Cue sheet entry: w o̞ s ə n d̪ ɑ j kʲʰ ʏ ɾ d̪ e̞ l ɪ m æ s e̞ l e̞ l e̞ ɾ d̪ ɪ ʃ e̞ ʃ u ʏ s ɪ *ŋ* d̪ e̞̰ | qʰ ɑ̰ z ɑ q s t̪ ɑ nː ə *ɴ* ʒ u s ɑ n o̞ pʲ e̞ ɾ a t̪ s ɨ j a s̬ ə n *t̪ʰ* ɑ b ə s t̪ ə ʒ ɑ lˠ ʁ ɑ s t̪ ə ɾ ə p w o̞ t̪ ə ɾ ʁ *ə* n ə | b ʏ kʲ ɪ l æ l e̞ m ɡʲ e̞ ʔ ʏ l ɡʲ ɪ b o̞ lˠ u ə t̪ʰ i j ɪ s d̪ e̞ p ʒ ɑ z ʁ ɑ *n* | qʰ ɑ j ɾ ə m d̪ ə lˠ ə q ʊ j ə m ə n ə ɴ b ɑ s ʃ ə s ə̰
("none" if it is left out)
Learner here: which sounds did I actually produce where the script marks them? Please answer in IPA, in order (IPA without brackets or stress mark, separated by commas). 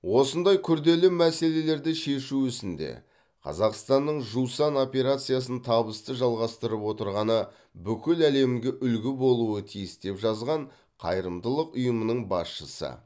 n, ɴ, t̪ʰ, ɑ, ɴ